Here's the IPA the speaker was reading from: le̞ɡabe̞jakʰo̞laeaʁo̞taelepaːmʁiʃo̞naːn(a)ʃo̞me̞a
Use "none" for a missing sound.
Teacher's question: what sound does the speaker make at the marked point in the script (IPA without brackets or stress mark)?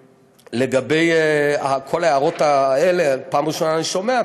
i